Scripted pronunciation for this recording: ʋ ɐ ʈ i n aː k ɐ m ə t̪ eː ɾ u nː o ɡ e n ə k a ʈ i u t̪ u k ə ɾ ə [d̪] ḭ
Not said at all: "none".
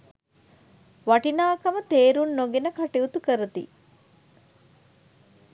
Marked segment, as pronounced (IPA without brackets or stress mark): t̪